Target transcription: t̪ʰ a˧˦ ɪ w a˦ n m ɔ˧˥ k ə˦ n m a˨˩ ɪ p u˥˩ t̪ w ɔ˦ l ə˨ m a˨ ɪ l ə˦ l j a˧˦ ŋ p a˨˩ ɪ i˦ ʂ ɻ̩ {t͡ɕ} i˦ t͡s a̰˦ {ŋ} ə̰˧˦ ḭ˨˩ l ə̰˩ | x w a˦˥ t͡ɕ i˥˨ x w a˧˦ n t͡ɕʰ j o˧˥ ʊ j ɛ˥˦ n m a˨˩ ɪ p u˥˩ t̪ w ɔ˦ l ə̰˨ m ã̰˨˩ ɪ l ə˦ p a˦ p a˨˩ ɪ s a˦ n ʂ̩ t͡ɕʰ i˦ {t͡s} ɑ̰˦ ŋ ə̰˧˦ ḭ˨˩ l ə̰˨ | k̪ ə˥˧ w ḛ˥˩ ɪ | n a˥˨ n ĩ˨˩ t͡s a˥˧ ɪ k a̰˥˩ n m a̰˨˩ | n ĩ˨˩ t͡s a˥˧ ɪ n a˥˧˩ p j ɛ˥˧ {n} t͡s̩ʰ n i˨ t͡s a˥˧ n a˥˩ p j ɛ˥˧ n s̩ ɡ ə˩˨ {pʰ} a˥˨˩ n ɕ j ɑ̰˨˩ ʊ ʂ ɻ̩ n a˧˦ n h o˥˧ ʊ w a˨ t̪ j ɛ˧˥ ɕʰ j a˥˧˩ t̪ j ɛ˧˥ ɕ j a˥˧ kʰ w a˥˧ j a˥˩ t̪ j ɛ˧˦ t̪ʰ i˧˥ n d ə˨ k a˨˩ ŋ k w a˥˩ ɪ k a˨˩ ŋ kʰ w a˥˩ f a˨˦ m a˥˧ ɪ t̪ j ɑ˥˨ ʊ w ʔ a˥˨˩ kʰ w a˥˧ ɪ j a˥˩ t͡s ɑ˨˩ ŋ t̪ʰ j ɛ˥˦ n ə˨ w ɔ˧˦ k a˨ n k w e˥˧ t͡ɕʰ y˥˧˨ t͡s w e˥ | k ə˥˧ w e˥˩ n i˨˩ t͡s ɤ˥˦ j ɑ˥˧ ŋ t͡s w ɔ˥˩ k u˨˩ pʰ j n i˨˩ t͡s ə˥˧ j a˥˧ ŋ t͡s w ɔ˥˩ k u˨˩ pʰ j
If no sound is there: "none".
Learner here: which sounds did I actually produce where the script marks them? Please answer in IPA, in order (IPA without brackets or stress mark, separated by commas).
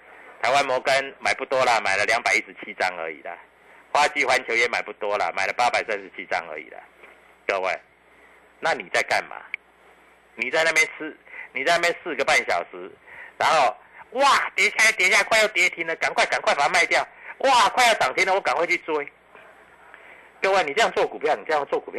t͡ɕʰ, ŋ, t͡s, n, p